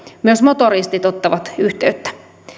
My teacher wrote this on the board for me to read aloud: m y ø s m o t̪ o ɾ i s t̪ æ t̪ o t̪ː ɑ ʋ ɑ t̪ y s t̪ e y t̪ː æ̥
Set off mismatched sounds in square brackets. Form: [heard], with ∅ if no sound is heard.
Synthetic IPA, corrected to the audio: m y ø s m o t̪ o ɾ i s t̪ [i] t̪ o t̪ː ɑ ʋ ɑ t̪ y [h] t̪ e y t̪ː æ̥